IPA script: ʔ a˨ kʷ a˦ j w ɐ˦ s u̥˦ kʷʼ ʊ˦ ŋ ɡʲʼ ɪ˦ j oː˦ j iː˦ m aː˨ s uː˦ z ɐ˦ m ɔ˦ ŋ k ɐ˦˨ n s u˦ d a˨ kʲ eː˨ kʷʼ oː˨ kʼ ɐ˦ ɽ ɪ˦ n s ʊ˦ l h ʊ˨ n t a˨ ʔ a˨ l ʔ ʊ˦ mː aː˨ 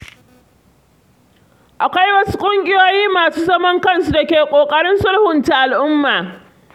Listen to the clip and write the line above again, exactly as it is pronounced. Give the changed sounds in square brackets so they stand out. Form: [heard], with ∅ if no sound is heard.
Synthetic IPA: ʔ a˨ kʷ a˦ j w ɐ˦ s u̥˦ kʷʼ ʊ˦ ŋ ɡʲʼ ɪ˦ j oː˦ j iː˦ m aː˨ s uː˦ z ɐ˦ m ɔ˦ ŋ k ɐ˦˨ n s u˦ d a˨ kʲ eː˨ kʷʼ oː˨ kʼ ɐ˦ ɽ ɪ˦ n s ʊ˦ l h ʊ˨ n t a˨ ʔ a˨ l ʔ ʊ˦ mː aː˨